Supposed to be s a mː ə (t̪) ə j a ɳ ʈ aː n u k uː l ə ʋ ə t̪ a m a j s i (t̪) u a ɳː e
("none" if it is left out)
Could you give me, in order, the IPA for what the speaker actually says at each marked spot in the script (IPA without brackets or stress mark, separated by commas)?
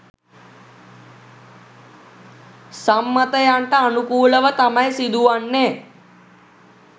t̪, d̪